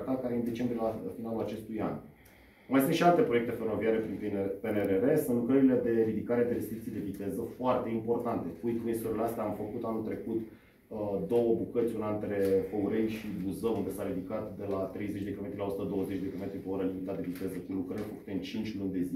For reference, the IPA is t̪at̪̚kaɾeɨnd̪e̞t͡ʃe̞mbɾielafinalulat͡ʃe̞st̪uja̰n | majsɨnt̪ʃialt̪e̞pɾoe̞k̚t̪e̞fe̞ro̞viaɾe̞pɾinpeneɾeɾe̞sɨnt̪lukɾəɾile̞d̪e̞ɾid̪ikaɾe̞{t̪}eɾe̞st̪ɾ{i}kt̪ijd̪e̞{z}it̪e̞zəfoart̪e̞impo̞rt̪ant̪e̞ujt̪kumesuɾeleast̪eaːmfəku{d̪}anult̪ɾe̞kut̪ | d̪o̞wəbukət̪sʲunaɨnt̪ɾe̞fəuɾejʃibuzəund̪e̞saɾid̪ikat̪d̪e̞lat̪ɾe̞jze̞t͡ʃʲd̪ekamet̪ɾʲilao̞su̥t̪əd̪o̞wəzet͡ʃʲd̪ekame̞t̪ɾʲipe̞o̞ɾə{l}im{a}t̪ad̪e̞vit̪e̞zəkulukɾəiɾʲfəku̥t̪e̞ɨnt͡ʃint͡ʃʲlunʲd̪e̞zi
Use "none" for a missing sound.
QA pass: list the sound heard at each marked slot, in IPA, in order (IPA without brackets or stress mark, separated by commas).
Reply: d̪, i, v, t̪, l, i